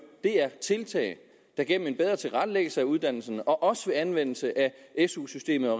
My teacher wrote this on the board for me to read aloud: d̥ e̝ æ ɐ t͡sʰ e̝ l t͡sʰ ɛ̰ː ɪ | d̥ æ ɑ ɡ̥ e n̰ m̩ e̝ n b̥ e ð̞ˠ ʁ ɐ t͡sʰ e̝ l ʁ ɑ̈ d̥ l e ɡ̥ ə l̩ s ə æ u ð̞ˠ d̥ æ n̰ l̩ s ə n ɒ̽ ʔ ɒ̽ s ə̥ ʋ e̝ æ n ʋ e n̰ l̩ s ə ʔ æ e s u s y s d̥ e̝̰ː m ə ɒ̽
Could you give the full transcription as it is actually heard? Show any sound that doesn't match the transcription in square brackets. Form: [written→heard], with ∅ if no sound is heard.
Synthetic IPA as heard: d̥ e̝ æ ɐ t͡sʰ e̝ l t͡sʰ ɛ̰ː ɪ | d̥ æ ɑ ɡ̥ e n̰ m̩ e̝ n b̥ e ð̞ˠ ʁ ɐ t͡sʰ e̝ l ʁ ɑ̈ d̥ l e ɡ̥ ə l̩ s ə æ u ð̞ˠ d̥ æ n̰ l̩ s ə n ɒ̽ ʔ ɒ̽ s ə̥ ʋ e̝ æ n ʋ e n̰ l̩ s ə ʔ æ e s u s y s d̥ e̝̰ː m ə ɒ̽